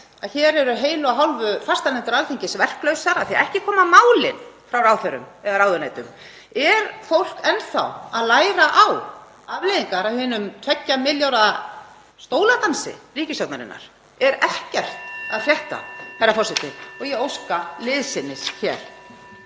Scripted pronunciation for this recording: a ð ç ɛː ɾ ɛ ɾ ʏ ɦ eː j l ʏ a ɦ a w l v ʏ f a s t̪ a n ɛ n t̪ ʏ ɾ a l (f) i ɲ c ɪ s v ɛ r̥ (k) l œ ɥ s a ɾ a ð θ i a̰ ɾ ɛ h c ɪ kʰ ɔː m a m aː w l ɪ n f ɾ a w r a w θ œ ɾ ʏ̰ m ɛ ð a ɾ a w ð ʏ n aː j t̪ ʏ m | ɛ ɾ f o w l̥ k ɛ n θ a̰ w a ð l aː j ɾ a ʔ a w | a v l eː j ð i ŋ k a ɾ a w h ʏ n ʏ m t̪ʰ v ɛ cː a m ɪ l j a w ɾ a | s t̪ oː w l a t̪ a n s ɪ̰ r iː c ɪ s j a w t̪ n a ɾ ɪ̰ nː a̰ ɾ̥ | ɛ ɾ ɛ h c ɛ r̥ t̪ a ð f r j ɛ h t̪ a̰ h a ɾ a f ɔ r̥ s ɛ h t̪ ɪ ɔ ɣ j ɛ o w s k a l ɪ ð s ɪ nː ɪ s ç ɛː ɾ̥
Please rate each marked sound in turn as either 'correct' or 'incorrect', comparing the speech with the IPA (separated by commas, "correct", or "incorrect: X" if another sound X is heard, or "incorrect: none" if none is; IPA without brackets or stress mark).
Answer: incorrect: θ, correct